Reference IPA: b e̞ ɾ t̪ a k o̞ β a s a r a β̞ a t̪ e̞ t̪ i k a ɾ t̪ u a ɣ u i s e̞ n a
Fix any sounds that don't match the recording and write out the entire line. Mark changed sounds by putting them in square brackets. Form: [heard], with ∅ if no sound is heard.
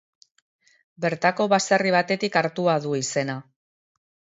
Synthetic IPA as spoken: b e̞ ɾ t̪ a k o̞ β a s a r [i] β̞ a t̪ e̞ t̪ i k a ɾ t̪ u a [ð] u i s e̞ n a